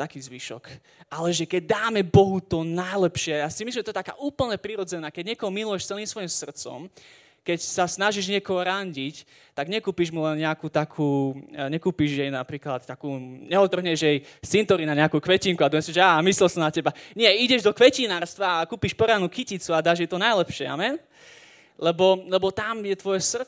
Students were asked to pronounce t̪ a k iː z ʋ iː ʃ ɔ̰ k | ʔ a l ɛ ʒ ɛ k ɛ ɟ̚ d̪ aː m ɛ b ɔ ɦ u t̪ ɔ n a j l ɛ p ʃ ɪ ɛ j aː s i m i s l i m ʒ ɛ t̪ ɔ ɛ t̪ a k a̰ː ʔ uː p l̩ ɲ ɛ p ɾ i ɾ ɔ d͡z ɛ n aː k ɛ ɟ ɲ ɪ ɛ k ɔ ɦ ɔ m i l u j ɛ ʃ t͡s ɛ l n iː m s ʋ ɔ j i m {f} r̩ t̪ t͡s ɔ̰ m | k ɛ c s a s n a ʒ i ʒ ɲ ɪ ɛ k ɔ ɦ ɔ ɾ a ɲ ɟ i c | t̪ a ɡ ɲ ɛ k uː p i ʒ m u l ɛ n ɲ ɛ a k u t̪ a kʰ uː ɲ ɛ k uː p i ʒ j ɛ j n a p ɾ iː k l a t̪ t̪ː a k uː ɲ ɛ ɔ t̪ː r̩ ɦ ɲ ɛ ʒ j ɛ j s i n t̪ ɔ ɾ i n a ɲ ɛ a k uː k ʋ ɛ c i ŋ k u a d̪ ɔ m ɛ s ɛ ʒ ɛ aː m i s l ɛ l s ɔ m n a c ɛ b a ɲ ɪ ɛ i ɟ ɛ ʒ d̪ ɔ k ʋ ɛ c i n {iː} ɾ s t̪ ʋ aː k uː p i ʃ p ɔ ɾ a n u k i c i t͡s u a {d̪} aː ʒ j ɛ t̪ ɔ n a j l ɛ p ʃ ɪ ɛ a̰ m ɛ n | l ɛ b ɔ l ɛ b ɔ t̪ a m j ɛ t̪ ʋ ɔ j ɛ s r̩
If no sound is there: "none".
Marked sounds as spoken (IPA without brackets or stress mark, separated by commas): s, aː, d̪